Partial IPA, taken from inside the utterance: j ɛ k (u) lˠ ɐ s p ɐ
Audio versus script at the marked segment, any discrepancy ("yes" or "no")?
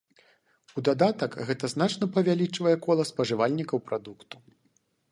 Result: yes